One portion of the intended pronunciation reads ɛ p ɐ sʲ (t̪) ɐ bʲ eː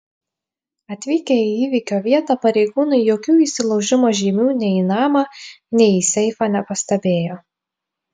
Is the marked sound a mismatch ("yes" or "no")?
no